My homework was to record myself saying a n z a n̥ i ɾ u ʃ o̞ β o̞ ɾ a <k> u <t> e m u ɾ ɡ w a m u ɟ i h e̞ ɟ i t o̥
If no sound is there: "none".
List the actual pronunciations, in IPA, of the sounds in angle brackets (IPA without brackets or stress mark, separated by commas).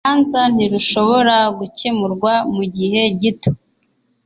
ɡ, c